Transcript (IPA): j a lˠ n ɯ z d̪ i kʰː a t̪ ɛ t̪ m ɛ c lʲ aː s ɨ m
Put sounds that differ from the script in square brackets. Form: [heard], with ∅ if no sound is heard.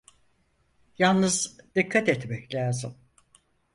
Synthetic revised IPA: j a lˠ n ɯ z d̪ i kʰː a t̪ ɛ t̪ m ɛ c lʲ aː [z] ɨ m